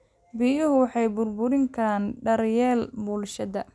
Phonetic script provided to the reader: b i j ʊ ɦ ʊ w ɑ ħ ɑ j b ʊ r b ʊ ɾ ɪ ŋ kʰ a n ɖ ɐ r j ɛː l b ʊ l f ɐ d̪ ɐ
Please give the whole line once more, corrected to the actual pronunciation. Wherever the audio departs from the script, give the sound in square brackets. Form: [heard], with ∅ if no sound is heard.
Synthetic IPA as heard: b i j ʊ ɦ ʊ w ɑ ħ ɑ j b ʊ r b ʊ ɾ ɪ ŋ kʰ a n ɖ ɐ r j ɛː l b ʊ l [ʃ] ɐ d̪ ɐ